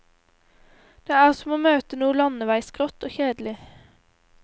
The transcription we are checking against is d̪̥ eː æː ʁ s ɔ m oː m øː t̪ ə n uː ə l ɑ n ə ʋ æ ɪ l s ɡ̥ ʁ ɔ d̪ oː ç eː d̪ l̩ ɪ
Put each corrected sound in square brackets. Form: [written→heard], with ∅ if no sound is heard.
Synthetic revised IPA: d̪̥ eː æː ʁ s ɔ m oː m øː t̪ ə n uː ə l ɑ n ə ʋ æ ɪ [l→∅] s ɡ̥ ʁ ɔ [d̪→t̪] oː ç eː d̪ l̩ ɪ